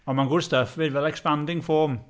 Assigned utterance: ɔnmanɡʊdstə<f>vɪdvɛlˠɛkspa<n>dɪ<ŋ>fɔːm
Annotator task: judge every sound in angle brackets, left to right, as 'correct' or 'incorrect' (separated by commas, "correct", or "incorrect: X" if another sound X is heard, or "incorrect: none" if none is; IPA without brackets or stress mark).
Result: correct, correct, correct